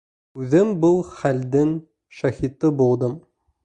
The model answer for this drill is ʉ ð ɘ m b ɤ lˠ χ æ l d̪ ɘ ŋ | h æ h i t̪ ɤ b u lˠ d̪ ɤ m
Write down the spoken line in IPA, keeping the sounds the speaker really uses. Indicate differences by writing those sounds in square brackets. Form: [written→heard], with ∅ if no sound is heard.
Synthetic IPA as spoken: ʉ ð ɘ m b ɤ lˠ χ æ l d̪ ɘ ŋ | [h→ʃ] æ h i t̪ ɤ b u lˠ d̪ ɤ m